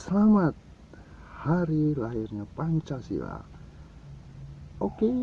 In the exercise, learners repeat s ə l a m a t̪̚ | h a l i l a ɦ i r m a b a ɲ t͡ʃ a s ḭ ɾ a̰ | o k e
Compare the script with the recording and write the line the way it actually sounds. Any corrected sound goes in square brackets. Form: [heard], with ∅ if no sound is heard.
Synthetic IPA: s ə l a m a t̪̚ | h a [ɾ] i l a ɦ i r [ɲ] a [p] a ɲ t͡ʃ a s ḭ [l] a̰ | o k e